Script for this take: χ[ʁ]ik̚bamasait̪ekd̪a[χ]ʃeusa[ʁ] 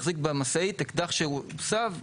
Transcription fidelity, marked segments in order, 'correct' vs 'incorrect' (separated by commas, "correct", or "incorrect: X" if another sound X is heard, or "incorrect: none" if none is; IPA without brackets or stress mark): incorrect: z, correct, incorrect: v